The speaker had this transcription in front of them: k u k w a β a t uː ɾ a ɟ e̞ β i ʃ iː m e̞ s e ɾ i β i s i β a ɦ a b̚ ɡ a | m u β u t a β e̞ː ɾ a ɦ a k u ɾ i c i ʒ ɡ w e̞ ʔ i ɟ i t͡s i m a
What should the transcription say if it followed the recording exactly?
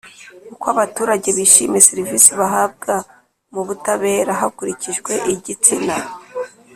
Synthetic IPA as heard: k u k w a β a t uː ɾ a ɟ e̞ β i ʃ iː m e̞ s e ɾ i v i s i β a ɦ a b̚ ɡ a | m u β u t a β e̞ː ɾ a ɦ a k u ɾ i c i ʒ ɡ w e̞ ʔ i ɟ i t͡s i n a

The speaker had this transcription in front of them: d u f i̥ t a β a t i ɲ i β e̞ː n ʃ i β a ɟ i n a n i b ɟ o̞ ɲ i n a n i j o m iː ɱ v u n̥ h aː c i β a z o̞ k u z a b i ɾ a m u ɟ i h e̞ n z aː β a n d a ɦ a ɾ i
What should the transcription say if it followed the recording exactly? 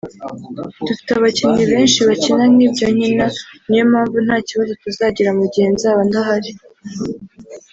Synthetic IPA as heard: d u f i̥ t a β a c i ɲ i β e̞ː n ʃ i β a c i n a n i b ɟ o̞ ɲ i n a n i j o m aː ɱ v u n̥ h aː c i β a z o̞ t u z a ɟ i ɾ a m u ɟ i h e̞ n z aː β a n d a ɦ a ɾ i

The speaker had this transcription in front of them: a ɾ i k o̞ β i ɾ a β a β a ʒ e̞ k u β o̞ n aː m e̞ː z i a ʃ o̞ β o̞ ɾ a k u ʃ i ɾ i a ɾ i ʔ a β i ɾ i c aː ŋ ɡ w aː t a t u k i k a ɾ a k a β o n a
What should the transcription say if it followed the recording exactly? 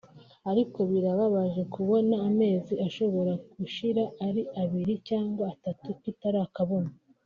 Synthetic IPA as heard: a ɾ i k o̞ β i ɾ a β a β a ʒ e̞ k u β o̞ n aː m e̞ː z i a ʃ o̞ β o̞ ɾ a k u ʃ i ɾ a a ɾ i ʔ a β i ɾ i c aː ŋ ɡ w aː t a t u k i t a ɾ a k a β o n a

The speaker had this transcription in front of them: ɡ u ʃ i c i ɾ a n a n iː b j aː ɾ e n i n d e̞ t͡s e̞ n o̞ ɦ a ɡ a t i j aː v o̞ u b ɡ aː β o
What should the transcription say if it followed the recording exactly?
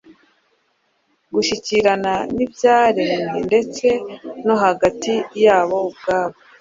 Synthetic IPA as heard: ɡ u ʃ i c i ɾ a n a n i b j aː ɾ e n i n d e̞ t͡s e̞ n o̞ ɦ a ɡ a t i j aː β o̞ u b ɡ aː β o

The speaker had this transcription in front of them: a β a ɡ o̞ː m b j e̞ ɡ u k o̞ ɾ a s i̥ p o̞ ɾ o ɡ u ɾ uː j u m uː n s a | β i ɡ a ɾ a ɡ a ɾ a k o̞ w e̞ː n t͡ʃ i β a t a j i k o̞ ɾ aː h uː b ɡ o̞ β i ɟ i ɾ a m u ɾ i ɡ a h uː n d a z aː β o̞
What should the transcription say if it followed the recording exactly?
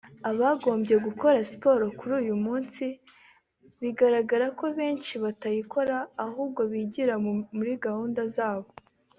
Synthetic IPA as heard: a β a ɡ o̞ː m b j e̞ ɡ u k o̞ ɾ a s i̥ p o̞ ɾ o k u ɾ uː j u m uː n s i | β i ɡ a ɾ a ɡ a ɾ a k o̞ β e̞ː n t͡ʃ i β a t a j i k o̞ ɾ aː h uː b ɡ o̞ β i ɟ i ɾ a m u ɾ i ɡ a h uː n d a z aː β o̞

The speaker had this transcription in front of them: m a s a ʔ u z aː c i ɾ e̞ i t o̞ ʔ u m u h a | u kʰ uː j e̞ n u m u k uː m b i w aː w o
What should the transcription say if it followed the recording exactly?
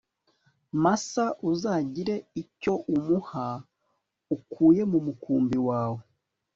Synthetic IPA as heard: m a s a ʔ u z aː ɟ i ɾ e̞ i c o̞ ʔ u m u h a | u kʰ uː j e̞ m u m u k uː m b i w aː w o

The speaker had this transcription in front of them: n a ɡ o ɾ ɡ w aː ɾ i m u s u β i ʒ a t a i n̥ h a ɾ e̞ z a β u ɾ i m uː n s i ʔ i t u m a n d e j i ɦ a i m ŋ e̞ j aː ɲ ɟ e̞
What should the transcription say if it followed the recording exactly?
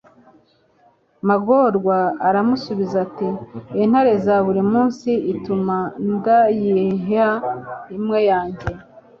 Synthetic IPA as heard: m a ɡ o ɾ ɡ w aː ɾ a m u s u β i z a t i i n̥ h a ɾ e̞ z a β u ɾ i m uː n s i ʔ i t u m a n d a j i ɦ a i m ŋ e̞ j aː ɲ ɟ e̞

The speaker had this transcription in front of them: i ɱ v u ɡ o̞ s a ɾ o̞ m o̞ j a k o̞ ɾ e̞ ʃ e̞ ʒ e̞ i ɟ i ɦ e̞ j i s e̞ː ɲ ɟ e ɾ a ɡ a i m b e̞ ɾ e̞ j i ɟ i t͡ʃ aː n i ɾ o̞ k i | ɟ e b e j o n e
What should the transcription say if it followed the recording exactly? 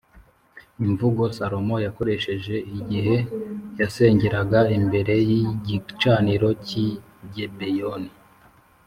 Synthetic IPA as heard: i ɱ v u ɡ o̞ s a ɾ o̞ m o̞ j a k o̞ ɾ e̞ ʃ e̞ ʒ e̞ i ɟ i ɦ e̞ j a s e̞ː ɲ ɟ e ɾ a ɡ a i m b e̞ ɾ e̞ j i ɟ i t͡ʃ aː n i ɾ o̞ c i | ɟ e b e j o n i

